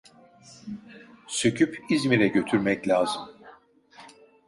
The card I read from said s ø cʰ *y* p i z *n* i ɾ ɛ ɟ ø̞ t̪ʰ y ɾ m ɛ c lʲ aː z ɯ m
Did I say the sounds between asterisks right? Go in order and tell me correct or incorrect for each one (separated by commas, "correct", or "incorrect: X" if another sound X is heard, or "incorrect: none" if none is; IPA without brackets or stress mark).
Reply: correct, incorrect: m